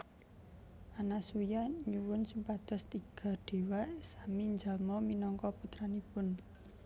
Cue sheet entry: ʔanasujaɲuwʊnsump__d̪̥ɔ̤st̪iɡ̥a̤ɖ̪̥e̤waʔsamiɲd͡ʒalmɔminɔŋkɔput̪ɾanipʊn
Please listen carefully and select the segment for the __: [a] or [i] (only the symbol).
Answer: a